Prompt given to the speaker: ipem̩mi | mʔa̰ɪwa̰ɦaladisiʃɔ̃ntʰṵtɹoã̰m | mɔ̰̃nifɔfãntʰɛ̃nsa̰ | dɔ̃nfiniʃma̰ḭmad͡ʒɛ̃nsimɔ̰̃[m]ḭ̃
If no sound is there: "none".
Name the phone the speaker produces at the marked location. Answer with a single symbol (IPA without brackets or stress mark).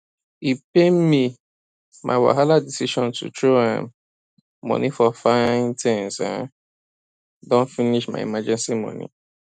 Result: n